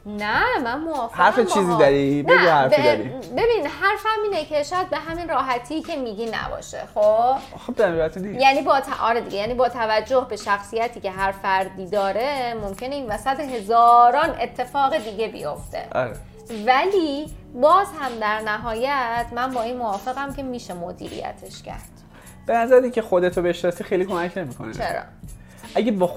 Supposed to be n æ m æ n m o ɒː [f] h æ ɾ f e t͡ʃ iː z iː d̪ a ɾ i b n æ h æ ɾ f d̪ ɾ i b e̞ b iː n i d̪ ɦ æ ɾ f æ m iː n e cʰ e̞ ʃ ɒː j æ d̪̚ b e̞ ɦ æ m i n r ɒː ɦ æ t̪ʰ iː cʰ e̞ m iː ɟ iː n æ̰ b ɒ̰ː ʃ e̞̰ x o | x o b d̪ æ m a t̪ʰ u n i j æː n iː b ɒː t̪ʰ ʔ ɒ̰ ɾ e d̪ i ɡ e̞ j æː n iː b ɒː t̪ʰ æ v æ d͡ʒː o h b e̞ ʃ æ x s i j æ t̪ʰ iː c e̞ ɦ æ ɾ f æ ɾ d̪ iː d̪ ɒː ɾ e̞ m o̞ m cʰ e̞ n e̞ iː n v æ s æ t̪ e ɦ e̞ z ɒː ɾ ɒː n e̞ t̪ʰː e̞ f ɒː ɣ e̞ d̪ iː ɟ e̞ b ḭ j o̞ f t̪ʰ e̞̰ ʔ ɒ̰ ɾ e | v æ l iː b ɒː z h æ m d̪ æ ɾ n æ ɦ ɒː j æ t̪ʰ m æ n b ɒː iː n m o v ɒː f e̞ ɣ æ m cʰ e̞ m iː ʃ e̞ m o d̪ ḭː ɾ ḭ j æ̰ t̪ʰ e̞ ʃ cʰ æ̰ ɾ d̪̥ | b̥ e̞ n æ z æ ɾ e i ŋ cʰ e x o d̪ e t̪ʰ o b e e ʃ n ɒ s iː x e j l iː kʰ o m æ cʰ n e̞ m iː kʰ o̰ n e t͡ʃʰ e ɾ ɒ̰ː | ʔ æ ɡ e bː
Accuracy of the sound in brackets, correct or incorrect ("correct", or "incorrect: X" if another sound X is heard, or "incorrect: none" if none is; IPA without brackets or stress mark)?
correct